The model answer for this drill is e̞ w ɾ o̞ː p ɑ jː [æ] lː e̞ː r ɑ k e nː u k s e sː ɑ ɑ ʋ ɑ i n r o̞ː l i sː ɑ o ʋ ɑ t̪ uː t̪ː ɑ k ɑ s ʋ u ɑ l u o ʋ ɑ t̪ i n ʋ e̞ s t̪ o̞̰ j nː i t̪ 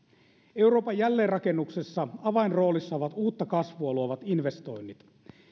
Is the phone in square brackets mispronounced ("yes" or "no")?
no